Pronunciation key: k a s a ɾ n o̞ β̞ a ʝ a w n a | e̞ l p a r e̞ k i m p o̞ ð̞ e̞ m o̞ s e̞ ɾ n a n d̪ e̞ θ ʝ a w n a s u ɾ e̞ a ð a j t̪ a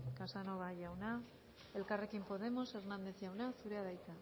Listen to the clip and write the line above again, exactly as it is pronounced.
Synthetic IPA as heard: k a s a n o̞ β̞ a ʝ a w n a | e̞ l k a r e̞ k i m p o̞ ð̞ e̞ m o̞ s e̞ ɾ n a n d̪ e̞ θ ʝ a w n a s u ɾ e̞ a ð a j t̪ a